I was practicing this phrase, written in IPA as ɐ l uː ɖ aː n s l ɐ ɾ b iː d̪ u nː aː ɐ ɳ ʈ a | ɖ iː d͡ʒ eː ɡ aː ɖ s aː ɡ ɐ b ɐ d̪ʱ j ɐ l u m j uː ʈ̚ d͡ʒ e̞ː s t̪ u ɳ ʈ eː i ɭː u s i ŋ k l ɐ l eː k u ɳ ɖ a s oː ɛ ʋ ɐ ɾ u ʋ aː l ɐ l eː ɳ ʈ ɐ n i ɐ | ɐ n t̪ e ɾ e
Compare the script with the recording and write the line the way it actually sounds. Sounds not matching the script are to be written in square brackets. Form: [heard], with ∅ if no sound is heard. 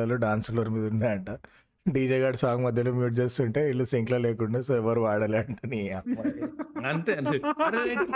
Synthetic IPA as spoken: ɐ l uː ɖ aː n s l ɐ ɾ [m] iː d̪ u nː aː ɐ ɳ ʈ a | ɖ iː d͡ʒ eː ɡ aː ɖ s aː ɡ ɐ [m] ɐ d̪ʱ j ɐ l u m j uː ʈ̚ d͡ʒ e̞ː s t̪ u ɳ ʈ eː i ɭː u s i ŋ k l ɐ l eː k u ɳ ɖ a s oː ɛ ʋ ɐ ɾ u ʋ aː [ɽ] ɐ l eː ɳ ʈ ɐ n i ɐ | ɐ n t̪ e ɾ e